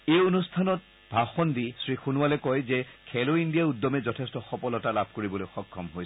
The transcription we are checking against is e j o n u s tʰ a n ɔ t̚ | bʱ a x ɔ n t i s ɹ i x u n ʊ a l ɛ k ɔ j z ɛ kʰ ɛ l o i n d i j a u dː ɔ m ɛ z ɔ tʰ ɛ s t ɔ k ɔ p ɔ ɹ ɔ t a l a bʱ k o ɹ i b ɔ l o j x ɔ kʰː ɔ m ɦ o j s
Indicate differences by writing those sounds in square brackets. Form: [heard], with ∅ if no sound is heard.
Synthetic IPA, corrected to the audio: e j o n u s tʰ a n ɔ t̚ | bʱ a x ɔ n [d] i s ɹ i x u n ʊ a l ɛ k ɔ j z ɛ kʰ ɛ l o i n d i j a u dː ɔ m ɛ z ɔ tʰ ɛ s t ɔ [x] ɔ p ɔ [l] ɔ t a l a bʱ k o ɹ i b ɔ l o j x ɔ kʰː ɔ m ɦ o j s